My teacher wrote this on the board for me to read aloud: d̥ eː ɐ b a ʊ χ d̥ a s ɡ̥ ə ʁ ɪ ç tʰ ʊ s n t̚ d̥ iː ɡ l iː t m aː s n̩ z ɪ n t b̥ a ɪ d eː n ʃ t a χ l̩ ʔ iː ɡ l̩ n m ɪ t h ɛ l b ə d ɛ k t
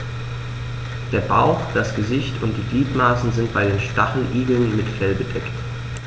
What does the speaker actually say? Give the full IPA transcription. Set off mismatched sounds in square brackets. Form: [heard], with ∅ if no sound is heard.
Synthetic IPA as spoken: d̥ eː ɐ b a ʊ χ d̥ a s ɡ̥ ə [z] ɪ ç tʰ ʊ [∅] n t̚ d̥ iː ɡ l iː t m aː s n̩ z ɪ n t b̥ a ɪ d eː n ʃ t a χ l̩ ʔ iː ɡ l̩ n m ɪ t [f] ɛ l b ə d ɛ k t